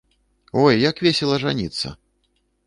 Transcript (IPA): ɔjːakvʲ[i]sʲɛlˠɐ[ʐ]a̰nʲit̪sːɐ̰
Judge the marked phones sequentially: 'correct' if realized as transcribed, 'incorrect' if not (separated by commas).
incorrect, correct